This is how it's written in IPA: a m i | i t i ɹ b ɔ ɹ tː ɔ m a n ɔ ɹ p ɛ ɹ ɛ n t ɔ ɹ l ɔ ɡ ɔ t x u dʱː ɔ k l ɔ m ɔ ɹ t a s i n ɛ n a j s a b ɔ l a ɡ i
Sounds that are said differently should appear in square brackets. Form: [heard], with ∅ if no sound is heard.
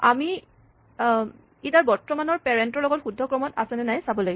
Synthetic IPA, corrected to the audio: a m i | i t [a] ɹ b ɔ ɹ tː ɔ m a n ɔ ɹ p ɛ ɹ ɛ n t ɔ ɹ l ɔ ɡ ɔ t x u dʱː ɔ k [ɹ] ɔ m ɔ [∅] t a s [ɛ] n ɛ n a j s a b ɔ l a ɡ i